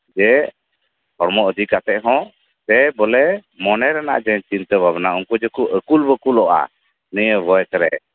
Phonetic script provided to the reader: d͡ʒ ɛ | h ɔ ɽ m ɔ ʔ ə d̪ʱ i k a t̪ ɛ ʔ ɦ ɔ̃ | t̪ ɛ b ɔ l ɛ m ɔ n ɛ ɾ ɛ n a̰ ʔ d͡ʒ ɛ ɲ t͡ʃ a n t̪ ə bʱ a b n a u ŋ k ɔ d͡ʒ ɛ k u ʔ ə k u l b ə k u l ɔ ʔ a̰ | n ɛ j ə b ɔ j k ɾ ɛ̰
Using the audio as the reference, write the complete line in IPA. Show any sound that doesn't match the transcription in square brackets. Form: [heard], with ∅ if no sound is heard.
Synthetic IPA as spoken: d͡ʒ ɛ | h ɔ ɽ m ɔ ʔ ə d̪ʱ i k a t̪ ɛ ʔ ɦ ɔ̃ | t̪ ɛ b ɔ l ɛ m ɔ n ɛ ɾ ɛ n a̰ ʔ d͡ʒ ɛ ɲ t͡ʃ [i] n t̪ ə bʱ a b n a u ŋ k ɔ d͡ʒ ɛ k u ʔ ə k u l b ə k u l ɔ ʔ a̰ | n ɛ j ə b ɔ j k ɾ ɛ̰